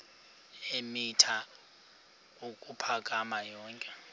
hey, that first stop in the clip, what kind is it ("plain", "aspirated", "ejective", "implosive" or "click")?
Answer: aspirated